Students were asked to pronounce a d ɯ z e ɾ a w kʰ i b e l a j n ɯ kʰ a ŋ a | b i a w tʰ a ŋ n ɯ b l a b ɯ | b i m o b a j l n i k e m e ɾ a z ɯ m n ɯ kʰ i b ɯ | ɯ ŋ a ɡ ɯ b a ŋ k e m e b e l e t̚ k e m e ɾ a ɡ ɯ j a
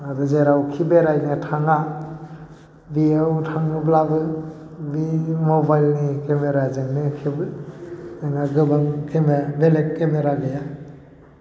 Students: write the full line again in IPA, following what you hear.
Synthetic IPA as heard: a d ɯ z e ɾ a w kʰ i b e ɾ a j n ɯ tʰ a ŋ a | b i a w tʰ a ŋ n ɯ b l a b ɯ | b i m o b a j l n i k e m e ɾ a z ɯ ŋ n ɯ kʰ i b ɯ | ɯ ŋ a ɡ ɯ b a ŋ k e m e b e l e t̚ k e m e ɾ a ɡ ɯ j a